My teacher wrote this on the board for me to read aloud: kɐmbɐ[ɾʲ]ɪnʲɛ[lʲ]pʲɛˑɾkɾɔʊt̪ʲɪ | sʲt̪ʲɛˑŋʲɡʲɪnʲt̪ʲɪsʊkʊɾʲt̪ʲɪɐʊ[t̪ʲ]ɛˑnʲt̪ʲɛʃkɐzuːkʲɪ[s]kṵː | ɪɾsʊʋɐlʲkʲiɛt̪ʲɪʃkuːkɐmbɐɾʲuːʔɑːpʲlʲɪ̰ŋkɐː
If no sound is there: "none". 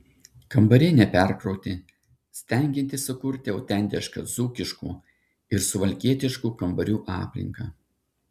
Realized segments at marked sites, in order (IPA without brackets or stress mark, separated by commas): ɾʲ, none, t̪ʲ, ʃ